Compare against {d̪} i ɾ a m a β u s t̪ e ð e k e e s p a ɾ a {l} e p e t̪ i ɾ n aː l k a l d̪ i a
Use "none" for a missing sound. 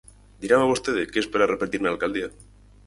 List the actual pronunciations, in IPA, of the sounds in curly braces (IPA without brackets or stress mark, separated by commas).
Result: d̪, r